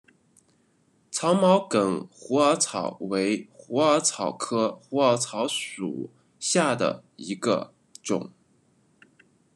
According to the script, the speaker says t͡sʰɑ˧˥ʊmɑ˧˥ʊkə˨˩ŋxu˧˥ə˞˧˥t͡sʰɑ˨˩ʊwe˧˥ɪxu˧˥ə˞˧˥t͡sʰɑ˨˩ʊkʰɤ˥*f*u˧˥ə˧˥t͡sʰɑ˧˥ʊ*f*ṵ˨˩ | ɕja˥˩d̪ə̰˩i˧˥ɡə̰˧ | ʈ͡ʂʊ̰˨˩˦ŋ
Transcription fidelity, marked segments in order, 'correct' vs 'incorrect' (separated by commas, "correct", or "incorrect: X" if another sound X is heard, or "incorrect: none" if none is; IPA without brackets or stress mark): incorrect: x, incorrect: ʂ